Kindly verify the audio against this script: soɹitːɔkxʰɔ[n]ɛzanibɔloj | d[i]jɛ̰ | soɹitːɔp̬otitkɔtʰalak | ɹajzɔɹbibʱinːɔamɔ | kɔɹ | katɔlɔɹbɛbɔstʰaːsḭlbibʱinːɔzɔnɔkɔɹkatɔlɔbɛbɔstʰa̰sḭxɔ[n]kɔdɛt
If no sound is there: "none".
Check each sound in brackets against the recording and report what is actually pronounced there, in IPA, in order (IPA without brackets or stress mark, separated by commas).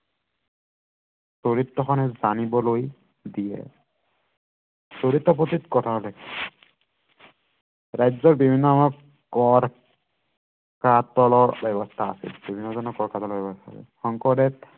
n, i, ŋ